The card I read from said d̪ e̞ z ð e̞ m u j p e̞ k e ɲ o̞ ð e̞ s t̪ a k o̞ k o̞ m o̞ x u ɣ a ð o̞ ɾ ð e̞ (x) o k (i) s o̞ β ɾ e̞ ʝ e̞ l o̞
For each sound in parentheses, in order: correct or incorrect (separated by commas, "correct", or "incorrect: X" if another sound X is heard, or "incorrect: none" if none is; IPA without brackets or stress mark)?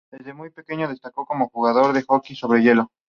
correct, correct